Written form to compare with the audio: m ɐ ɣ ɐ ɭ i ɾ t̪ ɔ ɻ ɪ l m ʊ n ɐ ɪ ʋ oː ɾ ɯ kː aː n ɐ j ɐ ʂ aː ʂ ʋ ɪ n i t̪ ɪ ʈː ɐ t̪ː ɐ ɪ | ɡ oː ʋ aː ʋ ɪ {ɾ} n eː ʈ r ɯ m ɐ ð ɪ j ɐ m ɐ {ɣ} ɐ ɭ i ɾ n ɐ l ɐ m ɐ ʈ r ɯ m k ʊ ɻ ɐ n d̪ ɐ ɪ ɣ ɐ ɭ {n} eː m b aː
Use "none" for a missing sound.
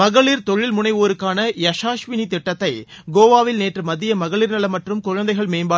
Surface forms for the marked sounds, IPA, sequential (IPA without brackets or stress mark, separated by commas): l, ɣ, m